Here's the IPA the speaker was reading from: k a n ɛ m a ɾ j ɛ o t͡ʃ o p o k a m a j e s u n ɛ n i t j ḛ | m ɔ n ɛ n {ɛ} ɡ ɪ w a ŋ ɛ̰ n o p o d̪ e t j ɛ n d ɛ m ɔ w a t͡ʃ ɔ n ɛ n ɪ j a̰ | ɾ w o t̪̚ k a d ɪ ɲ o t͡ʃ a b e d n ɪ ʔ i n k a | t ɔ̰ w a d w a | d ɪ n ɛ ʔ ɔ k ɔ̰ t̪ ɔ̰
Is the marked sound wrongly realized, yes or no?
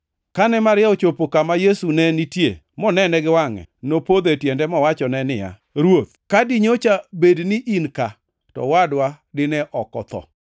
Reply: no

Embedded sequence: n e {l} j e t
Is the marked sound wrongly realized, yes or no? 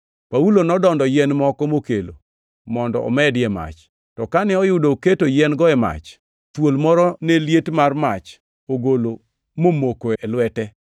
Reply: no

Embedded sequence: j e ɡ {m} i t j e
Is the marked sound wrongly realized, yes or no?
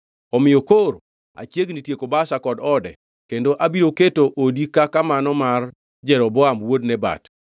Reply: yes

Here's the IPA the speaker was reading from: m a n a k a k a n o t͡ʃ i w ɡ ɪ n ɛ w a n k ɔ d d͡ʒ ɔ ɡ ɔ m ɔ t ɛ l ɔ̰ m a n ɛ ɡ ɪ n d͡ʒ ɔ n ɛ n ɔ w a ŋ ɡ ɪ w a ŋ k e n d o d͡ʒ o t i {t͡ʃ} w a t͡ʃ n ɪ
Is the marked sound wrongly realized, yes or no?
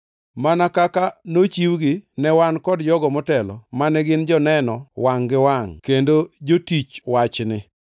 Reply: no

